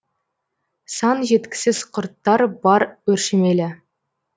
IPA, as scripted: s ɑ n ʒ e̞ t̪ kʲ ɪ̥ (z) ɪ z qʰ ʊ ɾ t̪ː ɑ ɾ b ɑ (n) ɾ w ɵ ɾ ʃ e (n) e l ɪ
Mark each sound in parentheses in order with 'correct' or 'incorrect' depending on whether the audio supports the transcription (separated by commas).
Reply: incorrect, incorrect, incorrect